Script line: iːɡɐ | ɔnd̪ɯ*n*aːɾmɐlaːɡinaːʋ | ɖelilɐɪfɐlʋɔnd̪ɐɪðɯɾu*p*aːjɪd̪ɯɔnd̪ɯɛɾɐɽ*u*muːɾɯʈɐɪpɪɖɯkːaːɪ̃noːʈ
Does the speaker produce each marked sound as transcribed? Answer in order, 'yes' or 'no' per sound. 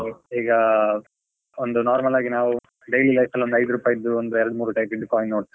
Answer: yes, yes, no

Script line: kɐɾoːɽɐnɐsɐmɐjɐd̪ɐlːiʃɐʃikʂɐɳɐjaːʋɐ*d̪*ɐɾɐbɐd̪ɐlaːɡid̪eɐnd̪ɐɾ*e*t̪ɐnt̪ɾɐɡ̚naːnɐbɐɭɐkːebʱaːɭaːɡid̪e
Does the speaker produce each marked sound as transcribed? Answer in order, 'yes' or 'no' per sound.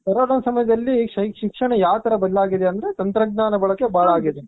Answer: no, yes

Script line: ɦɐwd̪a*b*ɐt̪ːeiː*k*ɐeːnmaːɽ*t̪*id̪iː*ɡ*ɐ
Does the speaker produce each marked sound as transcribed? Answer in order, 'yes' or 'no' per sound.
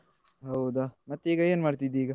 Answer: no, no, yes, yes

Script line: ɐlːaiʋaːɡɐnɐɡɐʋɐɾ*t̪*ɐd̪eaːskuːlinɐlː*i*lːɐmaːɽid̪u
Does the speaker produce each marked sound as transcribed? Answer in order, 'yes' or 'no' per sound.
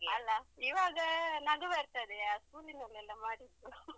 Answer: yes, no

